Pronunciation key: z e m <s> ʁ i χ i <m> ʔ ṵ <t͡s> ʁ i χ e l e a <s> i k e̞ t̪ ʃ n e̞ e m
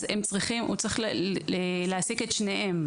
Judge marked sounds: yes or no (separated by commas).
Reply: no, yes, yes, yes